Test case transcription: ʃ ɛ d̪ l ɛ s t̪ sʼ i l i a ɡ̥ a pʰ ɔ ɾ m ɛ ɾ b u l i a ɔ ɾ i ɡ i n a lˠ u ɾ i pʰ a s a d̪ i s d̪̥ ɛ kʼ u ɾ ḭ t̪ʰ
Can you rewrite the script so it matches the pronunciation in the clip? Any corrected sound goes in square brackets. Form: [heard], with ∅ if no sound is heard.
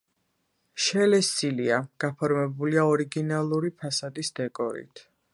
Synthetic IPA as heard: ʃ ɛ [∅] l ɛ s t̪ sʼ i l i a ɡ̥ a pʰ ɔ ɾ m ɛ [∅] b u l i a ɔ ɾ i ɡ i n a lˠ u ɾ i pʰ a s a d̪ i s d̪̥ ɛ kʼ [ɔ] ɾ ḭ t̪ʰ